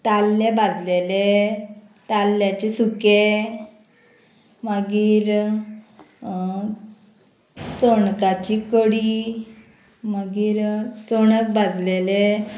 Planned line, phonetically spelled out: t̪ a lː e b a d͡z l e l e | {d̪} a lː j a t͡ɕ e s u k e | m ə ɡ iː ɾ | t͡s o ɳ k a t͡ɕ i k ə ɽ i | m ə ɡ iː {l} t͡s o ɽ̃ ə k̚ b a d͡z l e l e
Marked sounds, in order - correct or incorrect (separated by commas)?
incorrect, incorrect